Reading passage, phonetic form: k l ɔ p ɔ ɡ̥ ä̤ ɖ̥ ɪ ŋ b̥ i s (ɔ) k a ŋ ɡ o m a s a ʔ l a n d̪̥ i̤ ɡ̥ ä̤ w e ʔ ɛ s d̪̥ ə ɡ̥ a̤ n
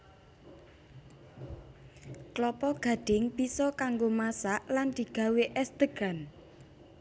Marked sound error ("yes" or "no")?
no